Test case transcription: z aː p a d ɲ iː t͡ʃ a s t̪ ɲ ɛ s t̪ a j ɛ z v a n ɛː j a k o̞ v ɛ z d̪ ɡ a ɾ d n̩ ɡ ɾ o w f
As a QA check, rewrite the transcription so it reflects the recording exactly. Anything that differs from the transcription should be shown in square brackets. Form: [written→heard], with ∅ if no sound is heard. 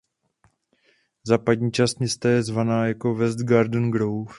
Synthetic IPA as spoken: z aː p a d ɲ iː t͡ʃ a s t̪ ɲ ɛ s t̪ a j ɛ z v a n [ɛː→aː] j a k o̞ v ɛ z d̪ ɡ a ɾ d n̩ ɡ ɾ o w f